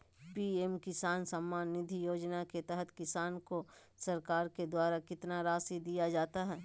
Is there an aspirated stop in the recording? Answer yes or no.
no